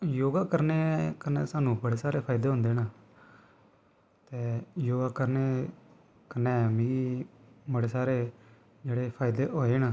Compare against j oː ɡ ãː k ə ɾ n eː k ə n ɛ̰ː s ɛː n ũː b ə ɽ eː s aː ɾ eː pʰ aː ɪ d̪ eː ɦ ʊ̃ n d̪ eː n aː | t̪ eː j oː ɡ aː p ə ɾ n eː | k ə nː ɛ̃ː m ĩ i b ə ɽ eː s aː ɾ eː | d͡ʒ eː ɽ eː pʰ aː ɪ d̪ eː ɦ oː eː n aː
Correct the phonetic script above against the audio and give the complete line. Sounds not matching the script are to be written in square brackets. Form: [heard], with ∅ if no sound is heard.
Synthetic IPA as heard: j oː ɡ [aː] k ə ɾ n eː k ə n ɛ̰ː s [aː] n ũː b ə ɽ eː s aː ɾ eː pʰ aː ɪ d̪ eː ɦ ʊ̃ n d̪ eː n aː | t̪ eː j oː ɡ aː [k] ə ɾ n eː | k ə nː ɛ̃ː m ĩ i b ə ɽ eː s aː ɾ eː | d͡ʒ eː ɽ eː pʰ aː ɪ d̪ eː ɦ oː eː n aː

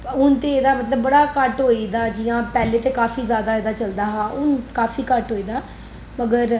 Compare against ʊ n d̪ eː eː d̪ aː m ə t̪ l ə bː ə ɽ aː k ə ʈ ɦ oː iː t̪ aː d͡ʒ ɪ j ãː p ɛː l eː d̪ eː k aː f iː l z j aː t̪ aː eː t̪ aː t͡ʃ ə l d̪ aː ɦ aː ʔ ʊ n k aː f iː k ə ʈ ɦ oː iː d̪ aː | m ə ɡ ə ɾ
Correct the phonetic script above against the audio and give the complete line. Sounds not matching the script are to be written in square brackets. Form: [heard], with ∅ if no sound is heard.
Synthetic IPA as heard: ʊ n [t̪] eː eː d̪ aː m ə t̪ l ə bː ə ɽ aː k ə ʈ ɦ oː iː [d̪] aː d͡ʒ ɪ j ãː p ɛː l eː [t̪] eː k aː f iː [∅] z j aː [d̪] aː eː [d̪] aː t͡ʃ ə l d̪ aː ɦ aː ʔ ʊ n k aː f iː k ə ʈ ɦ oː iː d̪ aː | m ə ɡ ə ɾ

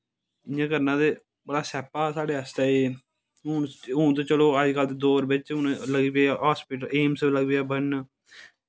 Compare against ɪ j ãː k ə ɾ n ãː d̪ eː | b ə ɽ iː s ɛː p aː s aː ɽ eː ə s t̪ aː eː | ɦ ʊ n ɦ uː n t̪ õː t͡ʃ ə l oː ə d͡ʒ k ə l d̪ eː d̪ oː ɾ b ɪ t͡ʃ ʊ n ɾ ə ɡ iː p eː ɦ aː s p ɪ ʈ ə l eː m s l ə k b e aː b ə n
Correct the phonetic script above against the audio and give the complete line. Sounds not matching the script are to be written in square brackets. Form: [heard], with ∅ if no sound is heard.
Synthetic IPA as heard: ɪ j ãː k ə ɾ n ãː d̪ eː | b ə ɽ [aː] s ɛː p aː s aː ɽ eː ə s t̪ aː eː | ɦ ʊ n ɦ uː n t̪ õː t͡ʃ ə l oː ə d͡ʒ k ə l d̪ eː d̪ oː ɾ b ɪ t͡ʃ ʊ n [l] ə ɡ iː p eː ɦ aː s p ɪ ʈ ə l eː m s l ə [ɡ] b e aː b ə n

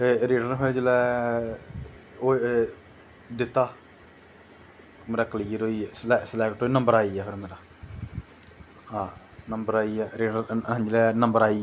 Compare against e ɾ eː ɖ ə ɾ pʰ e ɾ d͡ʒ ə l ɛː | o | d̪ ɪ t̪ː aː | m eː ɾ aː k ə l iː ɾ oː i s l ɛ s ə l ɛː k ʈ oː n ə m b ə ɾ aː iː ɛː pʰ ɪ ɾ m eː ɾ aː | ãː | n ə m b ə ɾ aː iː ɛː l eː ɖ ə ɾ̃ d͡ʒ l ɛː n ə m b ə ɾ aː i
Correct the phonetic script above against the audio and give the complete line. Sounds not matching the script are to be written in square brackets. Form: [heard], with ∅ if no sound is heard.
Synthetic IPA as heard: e ɾ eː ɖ ə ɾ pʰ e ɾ d͡ʒ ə l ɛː | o | d̪ ɪ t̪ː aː | m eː ɾ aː k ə l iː ɾ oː i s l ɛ s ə l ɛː k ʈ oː n ə m b ə ɾ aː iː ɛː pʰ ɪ ɾ m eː ɾ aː | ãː | n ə m b ə ɾ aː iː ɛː [ɾ] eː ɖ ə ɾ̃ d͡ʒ l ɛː n ə m b ə ɾ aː i

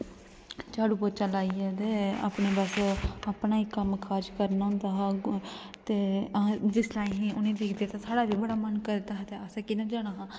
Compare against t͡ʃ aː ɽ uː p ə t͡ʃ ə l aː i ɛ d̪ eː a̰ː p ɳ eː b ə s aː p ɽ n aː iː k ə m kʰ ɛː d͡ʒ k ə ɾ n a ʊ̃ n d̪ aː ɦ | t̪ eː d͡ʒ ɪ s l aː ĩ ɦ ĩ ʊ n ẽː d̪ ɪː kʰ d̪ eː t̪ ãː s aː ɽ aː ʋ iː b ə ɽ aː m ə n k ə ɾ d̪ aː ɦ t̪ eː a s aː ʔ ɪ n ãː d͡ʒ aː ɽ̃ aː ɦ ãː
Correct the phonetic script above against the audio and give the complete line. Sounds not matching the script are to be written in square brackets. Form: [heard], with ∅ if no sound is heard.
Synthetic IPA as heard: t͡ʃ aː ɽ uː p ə t͡ʃ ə l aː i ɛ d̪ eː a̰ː p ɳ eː b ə s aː p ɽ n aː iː k ə m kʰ [aː] d͡ʒ k ə ɾ n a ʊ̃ n d̪ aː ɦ | t̪ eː d͡ʒ ɪ s l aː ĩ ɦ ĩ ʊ n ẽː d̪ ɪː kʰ d̪ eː t̪ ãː s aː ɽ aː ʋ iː b ə ɽ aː m ə n k ə ɾ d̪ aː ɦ t̪ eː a s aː [k] ɪ n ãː d͡ʒ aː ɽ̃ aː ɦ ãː

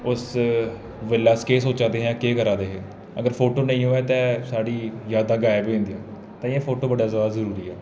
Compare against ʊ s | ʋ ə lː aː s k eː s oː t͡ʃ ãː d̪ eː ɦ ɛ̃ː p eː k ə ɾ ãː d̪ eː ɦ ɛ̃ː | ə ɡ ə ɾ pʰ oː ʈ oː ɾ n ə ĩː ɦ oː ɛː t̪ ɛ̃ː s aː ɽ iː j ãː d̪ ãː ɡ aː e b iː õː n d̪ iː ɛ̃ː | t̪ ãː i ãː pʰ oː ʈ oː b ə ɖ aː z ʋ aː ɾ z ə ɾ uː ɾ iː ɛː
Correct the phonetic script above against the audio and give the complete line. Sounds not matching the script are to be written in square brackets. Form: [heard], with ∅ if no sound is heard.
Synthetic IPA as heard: ʊ s | ʋ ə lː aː s k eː s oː t͡ʃ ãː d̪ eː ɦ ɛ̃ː [k] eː k ə ɾ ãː d̪ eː ɦ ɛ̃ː | ə ɡ ə ɾ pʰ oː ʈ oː [∅] n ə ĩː ɦ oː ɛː t̪ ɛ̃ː s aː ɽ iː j [aː] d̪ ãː ɡ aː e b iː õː n d̪ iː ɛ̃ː | t̪ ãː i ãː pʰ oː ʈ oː b ə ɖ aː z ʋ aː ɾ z ə ɾ uː ɾ iː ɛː

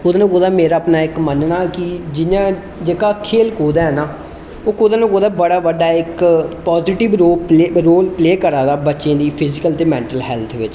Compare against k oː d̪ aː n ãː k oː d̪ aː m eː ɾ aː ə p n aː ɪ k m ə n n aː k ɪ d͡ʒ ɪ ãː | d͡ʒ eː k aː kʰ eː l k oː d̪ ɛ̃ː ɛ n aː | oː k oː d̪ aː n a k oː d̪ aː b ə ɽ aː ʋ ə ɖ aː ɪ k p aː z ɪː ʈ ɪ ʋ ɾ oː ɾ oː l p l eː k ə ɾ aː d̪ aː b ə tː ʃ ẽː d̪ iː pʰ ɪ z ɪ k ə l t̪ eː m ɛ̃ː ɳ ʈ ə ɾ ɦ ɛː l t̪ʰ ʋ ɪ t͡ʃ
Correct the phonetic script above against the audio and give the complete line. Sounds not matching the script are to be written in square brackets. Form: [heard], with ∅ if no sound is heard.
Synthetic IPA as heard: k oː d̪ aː n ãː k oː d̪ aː m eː ɾ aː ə p n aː ɪ k m ə n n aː k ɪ d͡ʒ ɪ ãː | d͡ʒ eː k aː kʰ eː l k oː d̪ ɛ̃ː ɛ n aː | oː k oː d̪ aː n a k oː d̪ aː b ə ɽ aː ʋ ə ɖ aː ɪ k p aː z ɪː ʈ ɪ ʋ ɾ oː ɾ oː l p l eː k ə ɾ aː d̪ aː b ə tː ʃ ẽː d̪ iː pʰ ɪ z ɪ k ə l t̪ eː m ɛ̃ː ɳ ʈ ə [l] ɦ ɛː l t̪ʰ ʋ ɪ t͡ʃ

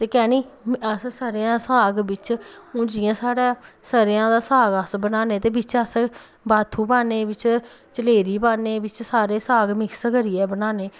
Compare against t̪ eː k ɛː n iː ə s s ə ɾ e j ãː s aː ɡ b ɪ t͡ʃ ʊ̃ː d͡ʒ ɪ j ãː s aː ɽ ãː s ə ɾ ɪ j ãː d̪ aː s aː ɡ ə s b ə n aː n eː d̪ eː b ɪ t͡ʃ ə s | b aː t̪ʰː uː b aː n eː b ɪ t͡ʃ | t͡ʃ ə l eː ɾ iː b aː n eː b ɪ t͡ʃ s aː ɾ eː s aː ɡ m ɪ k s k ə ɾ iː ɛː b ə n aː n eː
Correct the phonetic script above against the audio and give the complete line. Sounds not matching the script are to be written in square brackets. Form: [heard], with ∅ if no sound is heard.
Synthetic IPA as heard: t̪ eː k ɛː n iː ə s s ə ɾ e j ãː s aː ɡ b ɪ t͡ʃ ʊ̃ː d͡ʒ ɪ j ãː s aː ɽ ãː s ə ɾ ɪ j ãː d̪ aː s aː ɡ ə s b ə n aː n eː [t̪] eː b ɪ t͡ʃ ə s | b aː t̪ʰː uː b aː n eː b ɪ t͡ʃ | t͡ʃ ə l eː ɾ iː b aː n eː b ɪ t͡ʃ s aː ɾ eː s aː ɡ m ɪ k s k ə ɾ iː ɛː b ə n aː n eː

